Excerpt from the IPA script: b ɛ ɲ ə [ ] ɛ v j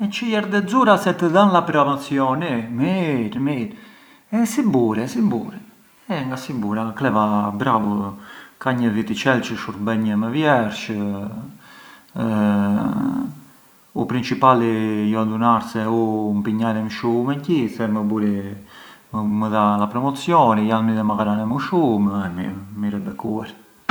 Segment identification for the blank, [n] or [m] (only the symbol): m